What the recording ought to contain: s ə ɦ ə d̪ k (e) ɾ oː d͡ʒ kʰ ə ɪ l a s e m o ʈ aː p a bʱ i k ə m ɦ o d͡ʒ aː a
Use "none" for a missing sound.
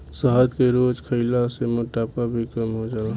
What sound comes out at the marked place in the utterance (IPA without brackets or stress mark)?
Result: e